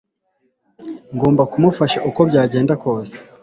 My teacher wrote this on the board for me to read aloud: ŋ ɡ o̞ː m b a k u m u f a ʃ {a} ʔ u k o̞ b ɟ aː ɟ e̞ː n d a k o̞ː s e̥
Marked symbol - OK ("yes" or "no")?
yes